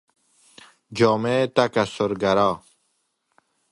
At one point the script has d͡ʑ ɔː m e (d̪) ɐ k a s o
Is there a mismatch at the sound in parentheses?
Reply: yes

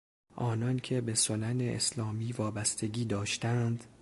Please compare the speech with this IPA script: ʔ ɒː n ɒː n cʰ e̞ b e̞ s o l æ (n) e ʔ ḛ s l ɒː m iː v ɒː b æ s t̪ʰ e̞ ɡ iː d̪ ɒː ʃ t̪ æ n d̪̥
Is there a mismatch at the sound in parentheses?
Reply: no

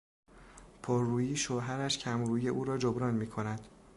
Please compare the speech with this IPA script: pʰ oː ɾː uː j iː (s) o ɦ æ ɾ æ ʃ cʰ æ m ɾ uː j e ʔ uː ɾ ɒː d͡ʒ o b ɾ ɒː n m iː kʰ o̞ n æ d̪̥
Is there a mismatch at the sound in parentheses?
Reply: yes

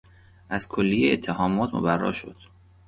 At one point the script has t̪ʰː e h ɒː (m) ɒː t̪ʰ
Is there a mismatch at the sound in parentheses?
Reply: no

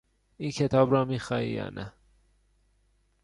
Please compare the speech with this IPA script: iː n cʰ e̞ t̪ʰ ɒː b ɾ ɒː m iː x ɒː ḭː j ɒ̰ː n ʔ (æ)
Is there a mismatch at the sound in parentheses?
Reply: no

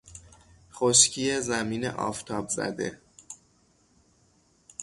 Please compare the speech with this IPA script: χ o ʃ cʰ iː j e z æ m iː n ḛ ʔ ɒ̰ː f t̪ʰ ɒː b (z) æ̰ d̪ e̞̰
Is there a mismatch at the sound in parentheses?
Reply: no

